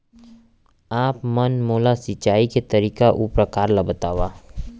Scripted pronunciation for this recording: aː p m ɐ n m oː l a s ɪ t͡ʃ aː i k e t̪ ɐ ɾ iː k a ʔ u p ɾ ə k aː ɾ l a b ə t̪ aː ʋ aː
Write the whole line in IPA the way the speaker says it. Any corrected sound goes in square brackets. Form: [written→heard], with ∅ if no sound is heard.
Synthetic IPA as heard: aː p m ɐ n m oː l a s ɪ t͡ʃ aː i k e t̪ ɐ ɾ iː k a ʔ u p ɾ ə k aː ɾ l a b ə t̪ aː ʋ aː